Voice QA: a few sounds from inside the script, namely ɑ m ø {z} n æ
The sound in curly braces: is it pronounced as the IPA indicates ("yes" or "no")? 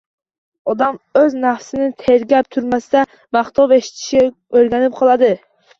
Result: yes